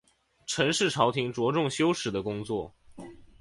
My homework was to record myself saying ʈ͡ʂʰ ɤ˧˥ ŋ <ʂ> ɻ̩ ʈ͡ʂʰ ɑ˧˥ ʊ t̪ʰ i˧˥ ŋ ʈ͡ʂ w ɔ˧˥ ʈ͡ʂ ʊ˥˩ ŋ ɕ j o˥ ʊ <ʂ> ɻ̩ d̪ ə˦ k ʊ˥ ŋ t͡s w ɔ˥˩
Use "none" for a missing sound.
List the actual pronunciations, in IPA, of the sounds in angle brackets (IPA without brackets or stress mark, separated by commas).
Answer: ʂ, ʂ